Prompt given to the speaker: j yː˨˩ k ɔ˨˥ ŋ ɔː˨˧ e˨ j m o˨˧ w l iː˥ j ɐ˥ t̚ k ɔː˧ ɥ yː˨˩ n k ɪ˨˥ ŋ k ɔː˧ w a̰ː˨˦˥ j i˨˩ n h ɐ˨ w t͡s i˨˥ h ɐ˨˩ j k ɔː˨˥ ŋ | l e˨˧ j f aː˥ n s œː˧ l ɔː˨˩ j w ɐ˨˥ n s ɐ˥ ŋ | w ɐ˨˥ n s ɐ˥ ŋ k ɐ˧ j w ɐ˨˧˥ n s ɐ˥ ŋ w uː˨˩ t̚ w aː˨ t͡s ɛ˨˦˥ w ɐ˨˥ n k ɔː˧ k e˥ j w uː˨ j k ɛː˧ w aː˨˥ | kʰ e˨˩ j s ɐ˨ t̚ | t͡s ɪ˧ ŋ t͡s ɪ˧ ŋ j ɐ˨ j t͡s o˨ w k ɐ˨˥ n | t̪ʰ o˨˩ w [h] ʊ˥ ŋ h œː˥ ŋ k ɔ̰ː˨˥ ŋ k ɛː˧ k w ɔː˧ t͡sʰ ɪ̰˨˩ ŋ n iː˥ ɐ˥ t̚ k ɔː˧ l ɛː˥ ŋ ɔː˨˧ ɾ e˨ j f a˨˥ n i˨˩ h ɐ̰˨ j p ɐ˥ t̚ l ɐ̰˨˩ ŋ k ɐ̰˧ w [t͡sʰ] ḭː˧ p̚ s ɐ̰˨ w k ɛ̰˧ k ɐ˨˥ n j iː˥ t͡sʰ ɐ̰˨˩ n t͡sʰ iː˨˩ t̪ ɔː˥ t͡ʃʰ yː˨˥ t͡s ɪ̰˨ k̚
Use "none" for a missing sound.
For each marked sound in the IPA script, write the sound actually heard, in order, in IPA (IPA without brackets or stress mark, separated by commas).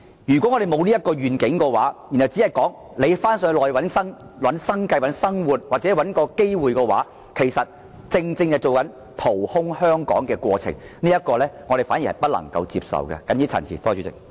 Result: h, t͡s